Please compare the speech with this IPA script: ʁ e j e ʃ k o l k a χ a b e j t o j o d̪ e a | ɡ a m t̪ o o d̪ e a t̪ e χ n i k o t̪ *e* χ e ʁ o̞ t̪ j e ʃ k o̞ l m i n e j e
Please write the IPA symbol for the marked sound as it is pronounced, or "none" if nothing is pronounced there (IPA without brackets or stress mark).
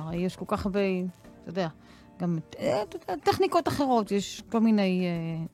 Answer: a